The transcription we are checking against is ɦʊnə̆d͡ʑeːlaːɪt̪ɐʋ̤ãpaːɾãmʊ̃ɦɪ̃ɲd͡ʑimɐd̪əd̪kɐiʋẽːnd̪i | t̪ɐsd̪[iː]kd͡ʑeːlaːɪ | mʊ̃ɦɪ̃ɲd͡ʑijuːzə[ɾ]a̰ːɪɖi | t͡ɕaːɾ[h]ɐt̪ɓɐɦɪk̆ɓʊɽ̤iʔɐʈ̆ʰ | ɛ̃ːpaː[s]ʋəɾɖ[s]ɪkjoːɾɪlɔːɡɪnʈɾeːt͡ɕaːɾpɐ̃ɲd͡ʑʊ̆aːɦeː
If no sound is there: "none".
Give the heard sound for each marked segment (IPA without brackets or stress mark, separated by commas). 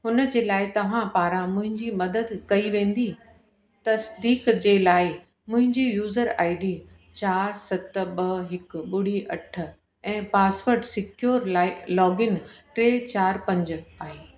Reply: iː, ɾ, s, s, s